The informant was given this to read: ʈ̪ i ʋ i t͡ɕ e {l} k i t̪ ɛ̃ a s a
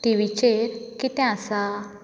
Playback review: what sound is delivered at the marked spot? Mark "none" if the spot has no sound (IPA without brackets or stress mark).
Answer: ɾ